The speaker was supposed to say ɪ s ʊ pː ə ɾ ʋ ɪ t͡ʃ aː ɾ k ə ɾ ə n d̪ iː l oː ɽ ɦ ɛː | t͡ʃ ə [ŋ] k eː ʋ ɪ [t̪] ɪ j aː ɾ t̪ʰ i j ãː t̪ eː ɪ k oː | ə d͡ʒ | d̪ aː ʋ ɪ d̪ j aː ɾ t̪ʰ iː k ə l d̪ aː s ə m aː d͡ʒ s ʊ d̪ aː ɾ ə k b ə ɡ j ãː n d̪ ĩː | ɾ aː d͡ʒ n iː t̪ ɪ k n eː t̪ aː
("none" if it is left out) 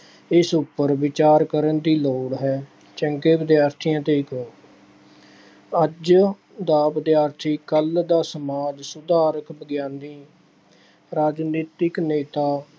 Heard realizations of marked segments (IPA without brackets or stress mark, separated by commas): ŋ, d̪